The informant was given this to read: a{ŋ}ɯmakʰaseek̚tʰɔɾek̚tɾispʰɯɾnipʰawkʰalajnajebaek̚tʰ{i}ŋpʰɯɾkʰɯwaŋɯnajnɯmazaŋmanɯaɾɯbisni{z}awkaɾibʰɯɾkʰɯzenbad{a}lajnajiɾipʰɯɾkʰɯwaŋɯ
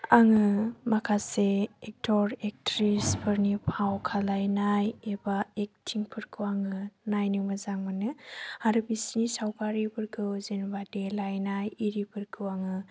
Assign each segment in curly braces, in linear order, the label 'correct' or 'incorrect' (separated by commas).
correct, correct, incorrect, incorrect